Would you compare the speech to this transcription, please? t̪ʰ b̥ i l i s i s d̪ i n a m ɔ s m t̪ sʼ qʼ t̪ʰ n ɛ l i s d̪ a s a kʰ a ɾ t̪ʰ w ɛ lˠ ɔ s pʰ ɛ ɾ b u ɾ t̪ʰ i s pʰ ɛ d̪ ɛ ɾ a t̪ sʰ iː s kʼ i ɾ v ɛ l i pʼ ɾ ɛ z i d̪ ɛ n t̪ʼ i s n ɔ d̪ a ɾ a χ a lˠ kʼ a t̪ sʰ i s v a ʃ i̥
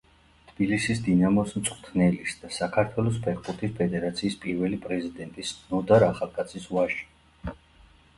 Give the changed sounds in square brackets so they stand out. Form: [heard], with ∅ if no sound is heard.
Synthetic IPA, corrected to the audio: t̪ʰ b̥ i l i s i s d̪ i n a m ɔ s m t̪ sʼ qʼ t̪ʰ n ɛ l i s d̪ a s a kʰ a ɾ t̪ʰ w ɛ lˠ ɔ s pʰ ɛ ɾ b u ɾ t̪ʰ i s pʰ ɛ d̪ ɛ ɾ a t̪ sʰ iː s [pʼ] i ɾ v ɛ l i pʼ ɾ ɛ z i d̪ ɛ n t̪ʼ i s n ɔ d̪ a ɾ a χ a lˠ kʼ a t̪ sʰ i s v a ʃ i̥